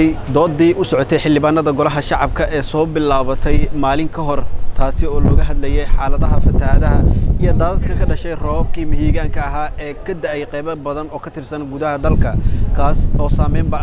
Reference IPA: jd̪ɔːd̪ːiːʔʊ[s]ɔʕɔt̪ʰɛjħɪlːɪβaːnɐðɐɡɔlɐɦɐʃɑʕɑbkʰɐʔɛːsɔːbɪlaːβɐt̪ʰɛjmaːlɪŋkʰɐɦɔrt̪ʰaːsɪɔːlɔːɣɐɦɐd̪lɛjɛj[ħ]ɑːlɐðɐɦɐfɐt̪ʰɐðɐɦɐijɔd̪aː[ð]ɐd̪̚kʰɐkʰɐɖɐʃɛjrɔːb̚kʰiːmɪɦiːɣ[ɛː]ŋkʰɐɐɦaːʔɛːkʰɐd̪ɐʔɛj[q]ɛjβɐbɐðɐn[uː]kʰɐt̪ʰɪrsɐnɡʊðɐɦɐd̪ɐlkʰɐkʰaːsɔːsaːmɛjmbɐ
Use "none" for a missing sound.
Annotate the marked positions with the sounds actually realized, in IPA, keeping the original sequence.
s, ħ, ð, aː, q, ɔː

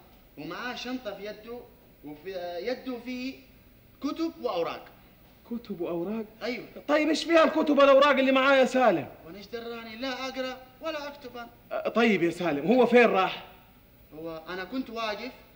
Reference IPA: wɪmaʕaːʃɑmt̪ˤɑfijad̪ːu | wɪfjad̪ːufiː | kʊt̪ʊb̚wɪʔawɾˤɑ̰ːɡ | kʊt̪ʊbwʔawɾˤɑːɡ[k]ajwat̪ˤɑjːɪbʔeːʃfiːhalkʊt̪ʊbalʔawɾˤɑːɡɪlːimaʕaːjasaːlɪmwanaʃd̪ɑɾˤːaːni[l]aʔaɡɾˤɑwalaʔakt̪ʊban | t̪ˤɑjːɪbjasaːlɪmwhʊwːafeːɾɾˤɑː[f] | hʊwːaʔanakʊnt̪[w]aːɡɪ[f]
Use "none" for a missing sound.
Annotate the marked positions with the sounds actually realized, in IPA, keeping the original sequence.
ʔ, l, ħ, w, f

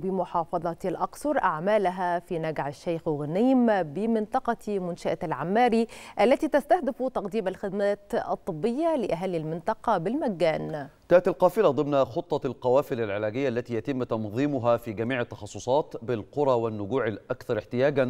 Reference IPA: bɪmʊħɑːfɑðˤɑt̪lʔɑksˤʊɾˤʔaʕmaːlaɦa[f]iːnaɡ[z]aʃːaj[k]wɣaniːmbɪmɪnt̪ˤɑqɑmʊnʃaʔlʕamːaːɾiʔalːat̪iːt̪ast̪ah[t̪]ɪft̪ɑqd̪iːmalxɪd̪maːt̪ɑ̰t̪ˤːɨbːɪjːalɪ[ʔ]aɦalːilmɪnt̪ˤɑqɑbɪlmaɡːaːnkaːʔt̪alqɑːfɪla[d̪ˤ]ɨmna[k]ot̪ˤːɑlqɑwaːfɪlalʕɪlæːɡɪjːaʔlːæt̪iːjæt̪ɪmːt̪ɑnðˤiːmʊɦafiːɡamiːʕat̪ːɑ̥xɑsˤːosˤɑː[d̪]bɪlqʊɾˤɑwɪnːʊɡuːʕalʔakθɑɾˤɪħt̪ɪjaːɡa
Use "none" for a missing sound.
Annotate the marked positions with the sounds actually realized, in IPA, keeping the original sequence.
f, ʕ, x, d̪, ʔ, d̪ˤ, x, t̪

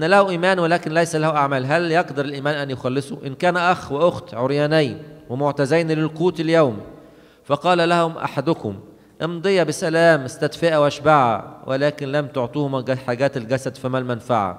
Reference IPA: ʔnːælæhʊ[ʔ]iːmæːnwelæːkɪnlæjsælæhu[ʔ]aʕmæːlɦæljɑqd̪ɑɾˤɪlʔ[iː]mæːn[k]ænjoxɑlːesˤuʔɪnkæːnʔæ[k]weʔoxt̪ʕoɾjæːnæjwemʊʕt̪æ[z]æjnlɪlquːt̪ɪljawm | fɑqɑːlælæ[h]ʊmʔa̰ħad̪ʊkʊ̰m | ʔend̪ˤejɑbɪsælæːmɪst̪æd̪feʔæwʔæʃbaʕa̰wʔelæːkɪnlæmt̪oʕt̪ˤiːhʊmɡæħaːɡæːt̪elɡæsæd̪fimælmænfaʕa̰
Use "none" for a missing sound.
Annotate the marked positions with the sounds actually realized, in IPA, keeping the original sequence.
ʔ, ʔ, iː, ʔ, x, z, h

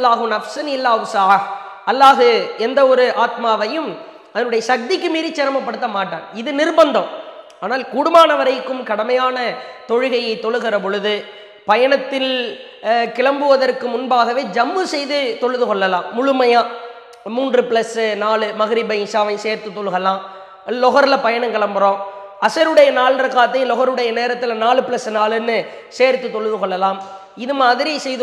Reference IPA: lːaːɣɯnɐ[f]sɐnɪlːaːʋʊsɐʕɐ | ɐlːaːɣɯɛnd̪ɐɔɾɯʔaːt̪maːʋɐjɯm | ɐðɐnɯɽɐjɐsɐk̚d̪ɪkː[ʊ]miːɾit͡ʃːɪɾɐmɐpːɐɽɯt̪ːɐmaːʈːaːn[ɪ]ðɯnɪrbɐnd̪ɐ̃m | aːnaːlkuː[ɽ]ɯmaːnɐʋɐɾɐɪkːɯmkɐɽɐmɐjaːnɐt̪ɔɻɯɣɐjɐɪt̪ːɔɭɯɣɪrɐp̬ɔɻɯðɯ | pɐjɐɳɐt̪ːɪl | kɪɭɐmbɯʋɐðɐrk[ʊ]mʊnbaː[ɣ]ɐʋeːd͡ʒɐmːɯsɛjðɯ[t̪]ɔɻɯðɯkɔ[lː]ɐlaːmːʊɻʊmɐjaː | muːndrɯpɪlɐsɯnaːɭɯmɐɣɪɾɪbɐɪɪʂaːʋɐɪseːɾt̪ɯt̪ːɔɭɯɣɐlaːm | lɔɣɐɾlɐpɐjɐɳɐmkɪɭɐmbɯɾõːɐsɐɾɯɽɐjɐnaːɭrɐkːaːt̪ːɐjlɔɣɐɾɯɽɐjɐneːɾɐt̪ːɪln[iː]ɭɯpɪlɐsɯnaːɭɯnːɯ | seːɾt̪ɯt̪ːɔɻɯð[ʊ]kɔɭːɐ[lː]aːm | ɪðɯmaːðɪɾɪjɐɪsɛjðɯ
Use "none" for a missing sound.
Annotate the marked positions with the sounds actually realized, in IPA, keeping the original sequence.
f, ɯ, ɪ, ɽ, ɯ, ɣ, t̪, ɭː, aː, ɯ, l

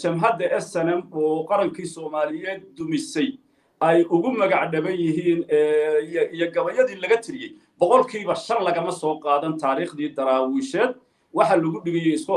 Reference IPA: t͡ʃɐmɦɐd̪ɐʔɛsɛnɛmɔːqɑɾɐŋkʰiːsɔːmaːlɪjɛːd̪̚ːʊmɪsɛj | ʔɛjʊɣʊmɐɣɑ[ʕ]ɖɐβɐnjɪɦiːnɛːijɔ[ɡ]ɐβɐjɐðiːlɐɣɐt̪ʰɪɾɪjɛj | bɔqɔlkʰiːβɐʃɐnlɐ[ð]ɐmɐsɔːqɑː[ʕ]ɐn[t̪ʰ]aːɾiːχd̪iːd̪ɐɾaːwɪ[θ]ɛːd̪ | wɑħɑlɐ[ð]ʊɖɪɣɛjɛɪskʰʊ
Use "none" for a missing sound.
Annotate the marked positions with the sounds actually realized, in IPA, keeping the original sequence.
ʕ, ɡ, ɣ, ð, t̪ʰ, ʃ, ɣ

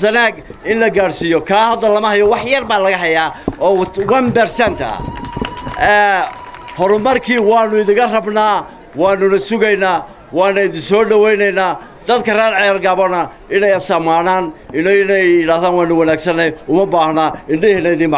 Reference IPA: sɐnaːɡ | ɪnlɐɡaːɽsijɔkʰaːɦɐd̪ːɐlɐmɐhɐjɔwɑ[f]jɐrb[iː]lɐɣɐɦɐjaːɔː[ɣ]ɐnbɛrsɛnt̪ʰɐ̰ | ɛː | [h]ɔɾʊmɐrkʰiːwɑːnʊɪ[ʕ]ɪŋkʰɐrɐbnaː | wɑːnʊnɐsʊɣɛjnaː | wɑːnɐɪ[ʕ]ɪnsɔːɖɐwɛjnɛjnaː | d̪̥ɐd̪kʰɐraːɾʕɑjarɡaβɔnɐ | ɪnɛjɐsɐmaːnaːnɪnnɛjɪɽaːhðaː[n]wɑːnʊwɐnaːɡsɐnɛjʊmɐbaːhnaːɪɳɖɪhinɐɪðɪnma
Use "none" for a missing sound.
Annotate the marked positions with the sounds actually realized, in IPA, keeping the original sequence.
ħ, aː, w, h, ð, ð, n

